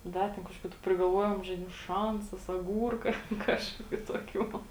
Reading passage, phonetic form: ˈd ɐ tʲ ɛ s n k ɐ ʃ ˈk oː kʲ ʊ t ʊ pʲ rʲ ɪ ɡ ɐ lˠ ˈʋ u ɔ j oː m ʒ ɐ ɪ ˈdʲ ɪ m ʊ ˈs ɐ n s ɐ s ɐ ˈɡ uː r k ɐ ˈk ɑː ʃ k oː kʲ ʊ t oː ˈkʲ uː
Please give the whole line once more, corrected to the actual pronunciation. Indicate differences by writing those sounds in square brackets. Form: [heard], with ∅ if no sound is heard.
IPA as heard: ˈd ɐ tʲ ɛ [∅] n k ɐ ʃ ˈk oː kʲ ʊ t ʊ pʲ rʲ ɪ ɡ ɐ lˠ ˈʋ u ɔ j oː m ʒ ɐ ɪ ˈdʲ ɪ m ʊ [ˈʃ] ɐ n s ɐ s ɐ ˈɡ uː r k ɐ ˈk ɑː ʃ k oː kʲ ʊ t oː ˈkʲ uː